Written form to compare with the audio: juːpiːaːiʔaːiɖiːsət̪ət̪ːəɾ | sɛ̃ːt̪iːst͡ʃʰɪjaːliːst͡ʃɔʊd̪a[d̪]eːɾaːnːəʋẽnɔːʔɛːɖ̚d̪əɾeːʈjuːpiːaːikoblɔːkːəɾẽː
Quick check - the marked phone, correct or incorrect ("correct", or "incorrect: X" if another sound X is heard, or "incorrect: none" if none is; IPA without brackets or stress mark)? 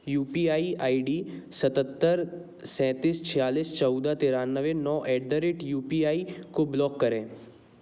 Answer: incorrect: t̪